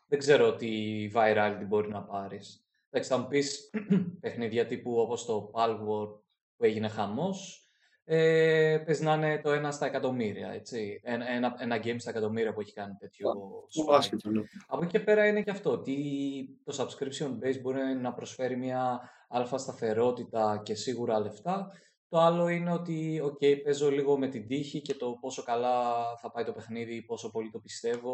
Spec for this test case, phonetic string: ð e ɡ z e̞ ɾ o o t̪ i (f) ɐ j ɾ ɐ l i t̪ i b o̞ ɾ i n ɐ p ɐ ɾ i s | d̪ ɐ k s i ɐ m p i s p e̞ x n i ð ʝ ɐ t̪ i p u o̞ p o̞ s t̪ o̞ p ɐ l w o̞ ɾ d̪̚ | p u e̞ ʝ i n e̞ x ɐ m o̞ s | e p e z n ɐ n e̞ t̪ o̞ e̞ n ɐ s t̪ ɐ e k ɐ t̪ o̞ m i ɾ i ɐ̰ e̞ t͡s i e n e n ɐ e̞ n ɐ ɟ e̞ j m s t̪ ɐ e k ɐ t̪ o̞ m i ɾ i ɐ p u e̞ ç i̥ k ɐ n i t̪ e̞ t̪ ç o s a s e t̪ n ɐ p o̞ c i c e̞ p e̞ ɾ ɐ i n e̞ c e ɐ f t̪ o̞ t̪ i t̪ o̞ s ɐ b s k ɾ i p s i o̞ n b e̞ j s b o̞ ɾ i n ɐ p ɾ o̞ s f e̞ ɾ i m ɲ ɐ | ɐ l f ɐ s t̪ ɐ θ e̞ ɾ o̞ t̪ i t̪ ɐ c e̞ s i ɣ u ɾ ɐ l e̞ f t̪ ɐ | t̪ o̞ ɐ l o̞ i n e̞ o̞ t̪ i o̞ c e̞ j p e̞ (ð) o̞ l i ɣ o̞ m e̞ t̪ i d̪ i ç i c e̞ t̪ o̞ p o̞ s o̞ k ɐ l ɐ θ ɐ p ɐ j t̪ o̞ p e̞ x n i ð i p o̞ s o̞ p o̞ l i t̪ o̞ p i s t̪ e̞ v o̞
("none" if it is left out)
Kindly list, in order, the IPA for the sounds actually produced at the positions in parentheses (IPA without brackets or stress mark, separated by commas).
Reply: v, z